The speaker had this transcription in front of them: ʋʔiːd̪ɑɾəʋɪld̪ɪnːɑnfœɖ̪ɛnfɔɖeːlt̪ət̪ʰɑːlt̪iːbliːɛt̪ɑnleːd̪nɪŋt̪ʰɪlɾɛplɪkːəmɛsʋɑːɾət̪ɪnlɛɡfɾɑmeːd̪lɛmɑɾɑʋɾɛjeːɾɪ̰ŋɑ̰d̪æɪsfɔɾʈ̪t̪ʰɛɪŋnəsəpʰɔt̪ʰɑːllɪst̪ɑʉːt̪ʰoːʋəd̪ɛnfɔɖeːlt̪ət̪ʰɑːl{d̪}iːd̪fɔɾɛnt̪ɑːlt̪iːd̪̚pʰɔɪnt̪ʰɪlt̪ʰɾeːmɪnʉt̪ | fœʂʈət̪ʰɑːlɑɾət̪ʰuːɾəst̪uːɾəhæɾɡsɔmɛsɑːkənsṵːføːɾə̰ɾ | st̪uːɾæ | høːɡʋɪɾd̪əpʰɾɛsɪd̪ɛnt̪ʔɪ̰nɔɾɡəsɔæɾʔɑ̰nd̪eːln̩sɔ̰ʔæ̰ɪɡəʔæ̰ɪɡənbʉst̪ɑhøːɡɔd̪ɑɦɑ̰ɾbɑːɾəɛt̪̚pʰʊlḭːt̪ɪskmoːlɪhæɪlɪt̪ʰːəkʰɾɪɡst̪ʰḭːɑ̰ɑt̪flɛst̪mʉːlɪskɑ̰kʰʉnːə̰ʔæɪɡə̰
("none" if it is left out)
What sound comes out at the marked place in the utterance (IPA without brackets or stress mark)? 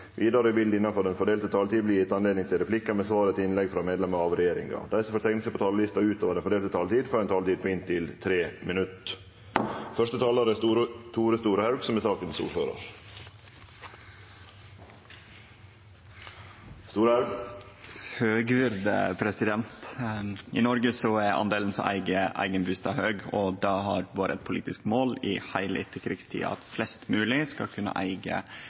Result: t̪